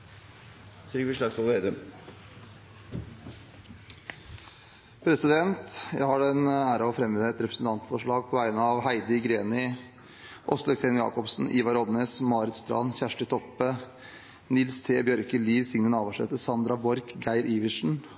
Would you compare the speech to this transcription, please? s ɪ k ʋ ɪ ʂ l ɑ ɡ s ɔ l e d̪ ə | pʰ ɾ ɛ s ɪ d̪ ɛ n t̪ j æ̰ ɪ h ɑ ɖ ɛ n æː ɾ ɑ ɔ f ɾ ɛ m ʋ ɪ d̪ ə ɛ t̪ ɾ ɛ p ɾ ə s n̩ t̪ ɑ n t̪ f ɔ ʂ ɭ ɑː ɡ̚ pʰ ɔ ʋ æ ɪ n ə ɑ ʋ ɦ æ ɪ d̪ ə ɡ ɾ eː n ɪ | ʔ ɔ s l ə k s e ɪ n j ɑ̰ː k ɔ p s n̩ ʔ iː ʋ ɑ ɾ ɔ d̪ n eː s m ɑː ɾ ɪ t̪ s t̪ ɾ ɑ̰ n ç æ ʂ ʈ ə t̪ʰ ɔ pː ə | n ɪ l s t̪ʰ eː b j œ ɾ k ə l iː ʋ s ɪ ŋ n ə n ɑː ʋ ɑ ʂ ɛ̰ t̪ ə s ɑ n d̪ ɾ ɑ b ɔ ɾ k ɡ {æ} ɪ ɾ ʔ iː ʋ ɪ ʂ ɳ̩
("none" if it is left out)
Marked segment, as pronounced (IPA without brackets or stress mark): æ